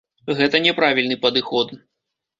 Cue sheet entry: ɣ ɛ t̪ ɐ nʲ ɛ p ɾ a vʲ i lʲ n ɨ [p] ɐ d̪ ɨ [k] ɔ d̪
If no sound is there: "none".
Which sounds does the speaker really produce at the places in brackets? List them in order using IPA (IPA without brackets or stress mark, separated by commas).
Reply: p, x